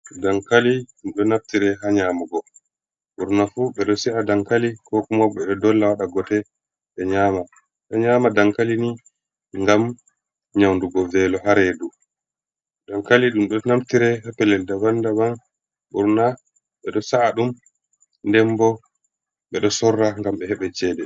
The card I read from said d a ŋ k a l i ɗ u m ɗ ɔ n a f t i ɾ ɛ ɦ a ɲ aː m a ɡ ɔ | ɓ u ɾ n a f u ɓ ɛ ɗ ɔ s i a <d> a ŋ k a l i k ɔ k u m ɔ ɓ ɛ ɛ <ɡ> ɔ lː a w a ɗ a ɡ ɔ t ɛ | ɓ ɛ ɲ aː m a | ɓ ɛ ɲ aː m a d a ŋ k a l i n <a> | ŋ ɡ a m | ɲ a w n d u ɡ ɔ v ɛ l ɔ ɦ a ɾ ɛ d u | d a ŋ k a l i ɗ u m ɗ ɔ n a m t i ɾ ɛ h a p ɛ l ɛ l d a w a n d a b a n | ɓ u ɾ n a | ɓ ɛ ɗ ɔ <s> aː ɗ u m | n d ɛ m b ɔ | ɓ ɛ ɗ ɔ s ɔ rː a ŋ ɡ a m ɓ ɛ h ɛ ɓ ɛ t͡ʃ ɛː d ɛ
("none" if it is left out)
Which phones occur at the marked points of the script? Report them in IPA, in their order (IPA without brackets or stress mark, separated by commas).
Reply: d, d, i, s